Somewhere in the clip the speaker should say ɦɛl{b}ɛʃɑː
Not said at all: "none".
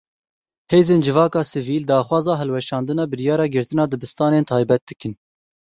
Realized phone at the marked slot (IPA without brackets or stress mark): w